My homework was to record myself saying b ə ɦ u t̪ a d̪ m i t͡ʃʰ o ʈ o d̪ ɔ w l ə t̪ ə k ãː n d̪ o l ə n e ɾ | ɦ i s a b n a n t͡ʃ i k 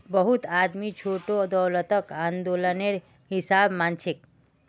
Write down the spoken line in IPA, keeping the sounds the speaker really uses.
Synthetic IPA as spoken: b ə ɦ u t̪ a d̪ m i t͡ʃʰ o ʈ o d̪ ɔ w l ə t̪ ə k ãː n d̪ o l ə n e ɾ | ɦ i s a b m a n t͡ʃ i k